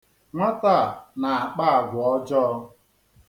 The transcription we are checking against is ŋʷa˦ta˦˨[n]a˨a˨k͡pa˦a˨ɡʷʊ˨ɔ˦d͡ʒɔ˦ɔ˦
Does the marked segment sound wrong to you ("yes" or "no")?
no